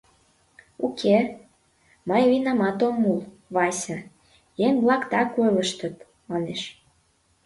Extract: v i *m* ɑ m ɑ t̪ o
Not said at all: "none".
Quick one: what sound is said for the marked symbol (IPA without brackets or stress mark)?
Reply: n